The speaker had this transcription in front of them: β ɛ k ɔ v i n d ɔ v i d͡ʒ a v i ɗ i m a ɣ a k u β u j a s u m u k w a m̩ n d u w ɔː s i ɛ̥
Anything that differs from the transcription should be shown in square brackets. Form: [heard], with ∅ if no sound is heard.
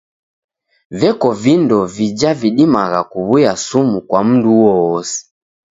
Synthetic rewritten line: [v] ɛ k ɔ v i n d ɔ v i d͡ʒ a v i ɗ i m a ɣ a k u β u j a s u m u k w a m̩ n d u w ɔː s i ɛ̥